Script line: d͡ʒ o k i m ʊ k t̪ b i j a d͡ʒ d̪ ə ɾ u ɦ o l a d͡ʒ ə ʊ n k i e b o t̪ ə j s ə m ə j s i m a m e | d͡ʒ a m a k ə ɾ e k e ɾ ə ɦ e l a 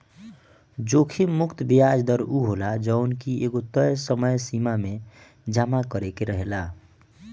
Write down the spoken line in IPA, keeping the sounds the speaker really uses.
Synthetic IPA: d͡ʒ o kʰ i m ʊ k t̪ b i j a d͡ʒ d̪ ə ɾ u ɦ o l a d͡ʒ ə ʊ n k i e ɡ o t̪ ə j s ə m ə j s i m a m e | d͡ʒ a m a k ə ɾ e k e ɾ ə ɦ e l a